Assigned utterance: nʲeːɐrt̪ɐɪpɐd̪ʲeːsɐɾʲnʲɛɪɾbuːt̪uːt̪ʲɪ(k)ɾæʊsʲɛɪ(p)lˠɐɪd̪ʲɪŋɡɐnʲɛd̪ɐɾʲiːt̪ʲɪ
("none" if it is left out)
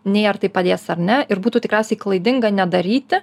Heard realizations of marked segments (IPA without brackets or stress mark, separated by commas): k, k